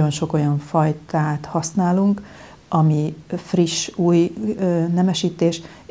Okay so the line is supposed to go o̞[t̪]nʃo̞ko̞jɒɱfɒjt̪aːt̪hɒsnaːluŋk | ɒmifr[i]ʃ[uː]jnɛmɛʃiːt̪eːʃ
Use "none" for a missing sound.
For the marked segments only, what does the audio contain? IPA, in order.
none, i, uː

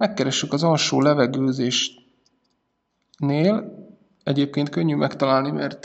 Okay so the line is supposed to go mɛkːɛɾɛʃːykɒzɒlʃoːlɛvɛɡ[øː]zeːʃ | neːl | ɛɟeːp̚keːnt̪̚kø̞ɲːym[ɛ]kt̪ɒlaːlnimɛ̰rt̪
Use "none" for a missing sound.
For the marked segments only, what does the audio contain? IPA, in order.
øː, ɛ

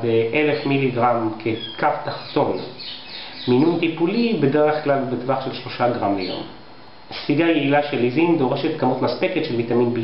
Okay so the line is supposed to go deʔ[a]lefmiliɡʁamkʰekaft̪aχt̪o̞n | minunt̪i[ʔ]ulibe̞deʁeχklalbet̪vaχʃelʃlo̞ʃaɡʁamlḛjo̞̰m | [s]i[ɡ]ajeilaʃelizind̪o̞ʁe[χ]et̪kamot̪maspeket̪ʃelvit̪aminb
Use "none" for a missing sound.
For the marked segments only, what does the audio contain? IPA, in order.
e, p, s, ɡ, ʃ

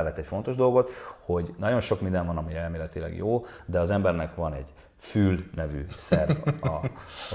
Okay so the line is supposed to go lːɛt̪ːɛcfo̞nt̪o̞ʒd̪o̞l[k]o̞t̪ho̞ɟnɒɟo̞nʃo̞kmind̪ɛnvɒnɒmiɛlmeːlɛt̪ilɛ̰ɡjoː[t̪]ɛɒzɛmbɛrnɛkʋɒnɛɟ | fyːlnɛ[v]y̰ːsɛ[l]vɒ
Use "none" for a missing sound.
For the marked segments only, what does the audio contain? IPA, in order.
ɡ, d̪, v, r

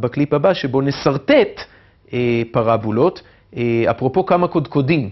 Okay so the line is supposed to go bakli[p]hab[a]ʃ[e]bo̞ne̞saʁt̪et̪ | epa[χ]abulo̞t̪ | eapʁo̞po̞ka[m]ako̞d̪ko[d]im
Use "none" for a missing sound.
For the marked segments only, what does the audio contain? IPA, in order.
p, a, e, ʁ, m, d

